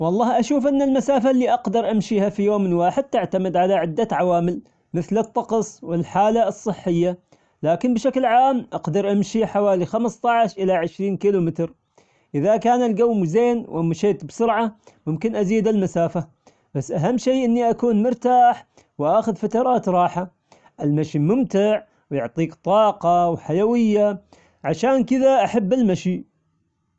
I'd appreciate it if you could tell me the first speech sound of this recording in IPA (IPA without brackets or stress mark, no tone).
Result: w